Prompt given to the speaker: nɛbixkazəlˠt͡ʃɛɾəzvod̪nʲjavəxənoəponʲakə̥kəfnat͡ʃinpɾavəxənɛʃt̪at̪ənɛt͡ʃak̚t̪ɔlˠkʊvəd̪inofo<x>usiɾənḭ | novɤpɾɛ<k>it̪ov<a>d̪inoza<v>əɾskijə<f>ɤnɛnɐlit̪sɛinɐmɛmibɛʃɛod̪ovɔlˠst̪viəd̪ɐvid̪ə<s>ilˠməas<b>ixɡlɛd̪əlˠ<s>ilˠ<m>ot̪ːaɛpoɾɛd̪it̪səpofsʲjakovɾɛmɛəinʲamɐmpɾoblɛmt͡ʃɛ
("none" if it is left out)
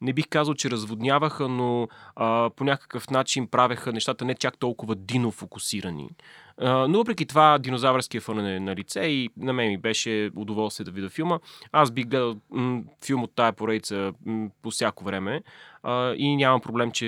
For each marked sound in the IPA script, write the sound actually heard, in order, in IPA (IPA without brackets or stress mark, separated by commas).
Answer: k, k, a, v, f, f, b, f, m